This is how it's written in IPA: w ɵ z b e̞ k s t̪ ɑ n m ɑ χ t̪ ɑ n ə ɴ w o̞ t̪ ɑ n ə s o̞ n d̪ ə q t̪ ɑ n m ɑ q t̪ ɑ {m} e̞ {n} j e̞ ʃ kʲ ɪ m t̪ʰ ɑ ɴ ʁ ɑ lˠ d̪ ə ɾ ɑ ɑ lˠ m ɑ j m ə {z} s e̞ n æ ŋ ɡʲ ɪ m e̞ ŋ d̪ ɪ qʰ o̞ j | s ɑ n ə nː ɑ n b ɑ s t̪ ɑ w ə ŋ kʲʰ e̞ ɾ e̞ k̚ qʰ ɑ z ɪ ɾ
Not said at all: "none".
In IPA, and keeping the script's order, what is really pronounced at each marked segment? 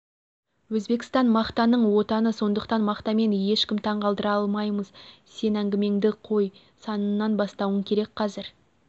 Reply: m, n, z

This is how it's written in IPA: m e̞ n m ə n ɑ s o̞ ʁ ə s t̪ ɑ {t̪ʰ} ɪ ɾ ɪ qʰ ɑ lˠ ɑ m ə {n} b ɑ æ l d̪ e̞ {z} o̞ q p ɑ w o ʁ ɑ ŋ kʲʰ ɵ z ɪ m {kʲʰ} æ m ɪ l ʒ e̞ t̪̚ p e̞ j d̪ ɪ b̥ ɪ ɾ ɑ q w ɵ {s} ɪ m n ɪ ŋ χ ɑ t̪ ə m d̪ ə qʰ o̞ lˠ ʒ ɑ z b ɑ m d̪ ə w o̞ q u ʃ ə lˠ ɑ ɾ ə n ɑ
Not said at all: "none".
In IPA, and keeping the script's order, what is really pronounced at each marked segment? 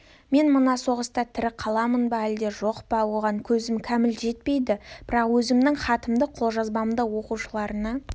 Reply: t̪ʰ, n, ʒ, kʲʰ, z

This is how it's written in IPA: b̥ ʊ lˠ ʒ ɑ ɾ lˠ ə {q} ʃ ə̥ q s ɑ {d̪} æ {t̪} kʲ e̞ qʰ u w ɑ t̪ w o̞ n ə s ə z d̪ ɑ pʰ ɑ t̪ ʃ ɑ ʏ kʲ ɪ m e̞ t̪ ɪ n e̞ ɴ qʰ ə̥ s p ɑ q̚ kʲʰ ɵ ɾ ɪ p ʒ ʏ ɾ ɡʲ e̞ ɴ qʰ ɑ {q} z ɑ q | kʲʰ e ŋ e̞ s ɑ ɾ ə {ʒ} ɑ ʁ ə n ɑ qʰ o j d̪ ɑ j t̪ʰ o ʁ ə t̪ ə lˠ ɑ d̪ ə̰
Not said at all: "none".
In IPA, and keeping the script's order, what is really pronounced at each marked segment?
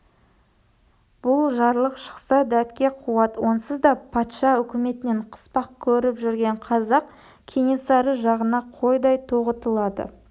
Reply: q, d̪, t̪, none, ʒ

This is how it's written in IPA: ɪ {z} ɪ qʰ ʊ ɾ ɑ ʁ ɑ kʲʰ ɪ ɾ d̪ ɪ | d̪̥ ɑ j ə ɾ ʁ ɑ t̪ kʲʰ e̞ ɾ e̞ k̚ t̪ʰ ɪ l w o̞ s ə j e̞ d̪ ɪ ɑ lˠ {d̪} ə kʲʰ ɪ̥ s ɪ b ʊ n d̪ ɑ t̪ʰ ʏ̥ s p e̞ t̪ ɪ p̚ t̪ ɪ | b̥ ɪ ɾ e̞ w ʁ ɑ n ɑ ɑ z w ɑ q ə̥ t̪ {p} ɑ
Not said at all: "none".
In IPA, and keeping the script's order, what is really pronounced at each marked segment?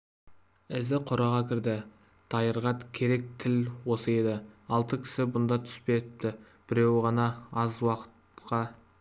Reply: z, t̪, q

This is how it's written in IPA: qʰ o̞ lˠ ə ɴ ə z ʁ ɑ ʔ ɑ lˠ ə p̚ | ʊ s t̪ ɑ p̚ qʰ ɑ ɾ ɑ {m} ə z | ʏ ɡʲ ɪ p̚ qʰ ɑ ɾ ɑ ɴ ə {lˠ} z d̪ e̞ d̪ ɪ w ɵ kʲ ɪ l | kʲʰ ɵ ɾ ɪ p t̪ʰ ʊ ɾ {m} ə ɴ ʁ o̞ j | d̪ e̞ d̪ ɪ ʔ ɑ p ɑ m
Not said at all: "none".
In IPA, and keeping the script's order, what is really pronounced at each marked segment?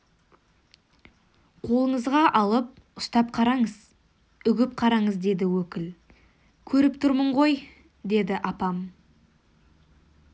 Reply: ɴ, none, m

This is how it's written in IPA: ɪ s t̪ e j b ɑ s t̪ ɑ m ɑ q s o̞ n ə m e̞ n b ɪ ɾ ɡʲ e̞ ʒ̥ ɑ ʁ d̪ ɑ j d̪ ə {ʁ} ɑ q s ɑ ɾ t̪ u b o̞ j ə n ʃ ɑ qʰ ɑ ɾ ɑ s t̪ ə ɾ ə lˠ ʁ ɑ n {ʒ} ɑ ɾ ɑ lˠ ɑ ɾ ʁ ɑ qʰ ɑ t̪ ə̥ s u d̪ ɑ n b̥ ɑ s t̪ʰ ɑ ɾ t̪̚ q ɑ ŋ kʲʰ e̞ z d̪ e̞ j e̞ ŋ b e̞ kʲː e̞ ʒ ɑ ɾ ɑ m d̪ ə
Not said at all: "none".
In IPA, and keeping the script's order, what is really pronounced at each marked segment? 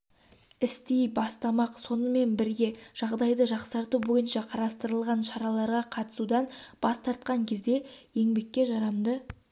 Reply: ʒ, ʃ

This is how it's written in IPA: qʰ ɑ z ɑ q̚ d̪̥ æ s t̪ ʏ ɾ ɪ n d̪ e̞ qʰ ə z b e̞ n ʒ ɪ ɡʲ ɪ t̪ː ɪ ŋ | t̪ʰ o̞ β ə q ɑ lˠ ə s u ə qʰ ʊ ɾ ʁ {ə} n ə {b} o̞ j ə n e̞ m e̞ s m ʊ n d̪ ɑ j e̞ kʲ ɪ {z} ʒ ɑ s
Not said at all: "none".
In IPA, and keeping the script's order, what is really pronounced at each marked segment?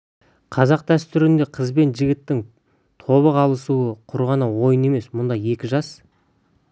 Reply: ɑ, w, none

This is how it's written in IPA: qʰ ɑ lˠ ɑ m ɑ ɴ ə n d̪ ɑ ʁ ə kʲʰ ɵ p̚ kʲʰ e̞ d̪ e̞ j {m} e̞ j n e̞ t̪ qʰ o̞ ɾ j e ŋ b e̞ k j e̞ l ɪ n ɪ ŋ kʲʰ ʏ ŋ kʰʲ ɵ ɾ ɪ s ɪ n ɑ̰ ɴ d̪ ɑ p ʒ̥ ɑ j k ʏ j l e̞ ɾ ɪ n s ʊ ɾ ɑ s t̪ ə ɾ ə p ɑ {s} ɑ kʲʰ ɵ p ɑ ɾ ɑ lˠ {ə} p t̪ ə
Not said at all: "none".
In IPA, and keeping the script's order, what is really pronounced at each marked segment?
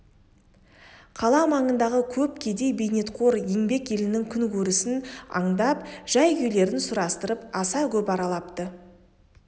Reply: b, s, ɑ

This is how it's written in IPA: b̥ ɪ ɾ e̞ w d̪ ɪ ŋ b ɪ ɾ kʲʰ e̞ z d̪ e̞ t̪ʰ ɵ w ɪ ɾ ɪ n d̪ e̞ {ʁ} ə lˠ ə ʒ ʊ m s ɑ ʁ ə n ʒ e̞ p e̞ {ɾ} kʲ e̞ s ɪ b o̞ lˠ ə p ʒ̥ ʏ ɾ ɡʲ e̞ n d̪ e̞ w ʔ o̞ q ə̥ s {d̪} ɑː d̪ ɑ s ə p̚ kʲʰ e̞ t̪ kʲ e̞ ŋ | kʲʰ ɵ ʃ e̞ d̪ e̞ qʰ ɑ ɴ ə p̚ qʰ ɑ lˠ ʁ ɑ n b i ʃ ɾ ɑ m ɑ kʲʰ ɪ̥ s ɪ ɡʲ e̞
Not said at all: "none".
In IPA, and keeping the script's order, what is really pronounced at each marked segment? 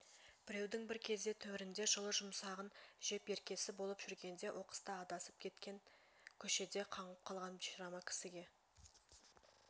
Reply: ʒ, ɾ, t̪

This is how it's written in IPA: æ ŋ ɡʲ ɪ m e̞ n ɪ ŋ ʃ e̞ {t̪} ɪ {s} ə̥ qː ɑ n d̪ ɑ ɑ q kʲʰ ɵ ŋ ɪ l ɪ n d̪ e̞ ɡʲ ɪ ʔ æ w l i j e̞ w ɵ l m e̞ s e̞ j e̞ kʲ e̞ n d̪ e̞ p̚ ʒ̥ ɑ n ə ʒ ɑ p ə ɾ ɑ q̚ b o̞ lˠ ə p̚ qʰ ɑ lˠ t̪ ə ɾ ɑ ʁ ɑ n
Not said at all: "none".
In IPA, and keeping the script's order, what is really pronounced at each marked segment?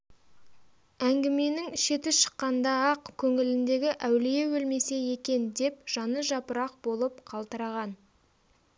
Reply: t̪, ʃ

